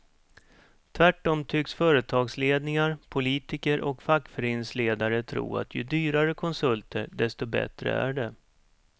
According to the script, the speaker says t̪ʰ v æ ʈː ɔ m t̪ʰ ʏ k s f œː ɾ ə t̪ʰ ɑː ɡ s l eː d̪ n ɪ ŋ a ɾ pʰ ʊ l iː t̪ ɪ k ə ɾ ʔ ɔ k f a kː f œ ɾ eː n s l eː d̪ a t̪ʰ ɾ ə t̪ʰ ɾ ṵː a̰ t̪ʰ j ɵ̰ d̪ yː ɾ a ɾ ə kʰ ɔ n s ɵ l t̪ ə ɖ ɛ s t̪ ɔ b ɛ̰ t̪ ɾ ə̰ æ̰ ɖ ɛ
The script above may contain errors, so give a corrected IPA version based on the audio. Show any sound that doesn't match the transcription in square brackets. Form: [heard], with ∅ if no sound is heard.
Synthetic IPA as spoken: t̪ʰ v æ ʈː ɔ m t̪ʰ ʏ k s f œː ɾ ə t̪ʰ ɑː ɡ s l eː d̪ n ɪ ŋ a ɾ pʰ ʊ l iː t̪ ɪ k ə ɾ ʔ ɔ k f a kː f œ ɾ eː n s l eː d̪ a [∅] ɾ ə t̪ʰ ɾ ṵː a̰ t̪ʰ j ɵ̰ d̪ yː ɾ a ɾ ə kʰ ɔ n s ɵ l t̪ ə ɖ ɛ s t̪ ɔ b ɛ̰ t̪ ɾ ə̰ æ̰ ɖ ɛ